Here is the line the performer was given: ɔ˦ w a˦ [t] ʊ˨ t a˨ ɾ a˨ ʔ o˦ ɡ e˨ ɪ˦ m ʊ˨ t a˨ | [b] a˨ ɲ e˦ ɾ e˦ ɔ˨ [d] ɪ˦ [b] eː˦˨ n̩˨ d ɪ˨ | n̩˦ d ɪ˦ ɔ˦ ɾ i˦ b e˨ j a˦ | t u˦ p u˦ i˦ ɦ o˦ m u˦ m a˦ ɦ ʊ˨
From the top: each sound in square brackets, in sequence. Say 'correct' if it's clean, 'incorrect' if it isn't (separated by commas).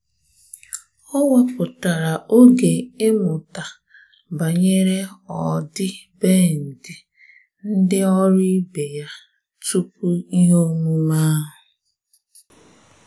incorrect, correct, correct, correct